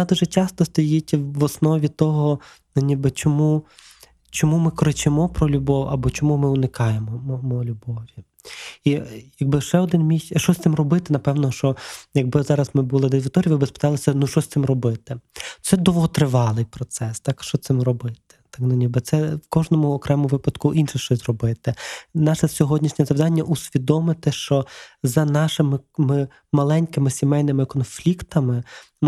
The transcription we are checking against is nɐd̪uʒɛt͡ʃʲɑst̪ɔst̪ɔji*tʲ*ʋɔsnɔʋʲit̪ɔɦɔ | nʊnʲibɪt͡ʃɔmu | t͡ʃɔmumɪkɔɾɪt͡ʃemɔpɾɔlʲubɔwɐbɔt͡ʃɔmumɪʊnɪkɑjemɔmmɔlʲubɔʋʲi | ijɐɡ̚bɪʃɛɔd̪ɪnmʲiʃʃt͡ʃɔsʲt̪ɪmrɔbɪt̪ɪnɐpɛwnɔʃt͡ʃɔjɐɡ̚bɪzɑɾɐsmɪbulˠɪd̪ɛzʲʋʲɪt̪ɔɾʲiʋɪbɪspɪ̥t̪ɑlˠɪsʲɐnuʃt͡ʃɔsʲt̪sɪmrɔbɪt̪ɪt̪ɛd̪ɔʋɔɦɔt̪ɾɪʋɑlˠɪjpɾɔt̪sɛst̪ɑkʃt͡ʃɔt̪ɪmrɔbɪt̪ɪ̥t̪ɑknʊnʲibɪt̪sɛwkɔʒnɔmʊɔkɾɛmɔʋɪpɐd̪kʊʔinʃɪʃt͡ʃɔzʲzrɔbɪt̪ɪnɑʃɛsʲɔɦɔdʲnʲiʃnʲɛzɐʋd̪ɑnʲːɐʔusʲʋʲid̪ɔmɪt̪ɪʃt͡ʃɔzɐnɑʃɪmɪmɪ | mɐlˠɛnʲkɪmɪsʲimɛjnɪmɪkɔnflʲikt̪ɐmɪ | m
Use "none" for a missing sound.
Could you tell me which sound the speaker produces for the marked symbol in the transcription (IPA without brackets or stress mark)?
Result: tʲ